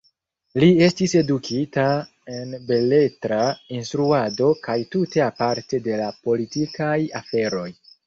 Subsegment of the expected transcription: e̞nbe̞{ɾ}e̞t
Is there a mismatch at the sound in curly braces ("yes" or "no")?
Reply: yes